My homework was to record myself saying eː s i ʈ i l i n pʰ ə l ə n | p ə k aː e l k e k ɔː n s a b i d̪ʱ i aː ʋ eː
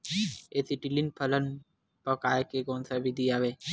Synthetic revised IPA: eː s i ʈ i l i n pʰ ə l ə n | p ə k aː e k e k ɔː n s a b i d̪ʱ i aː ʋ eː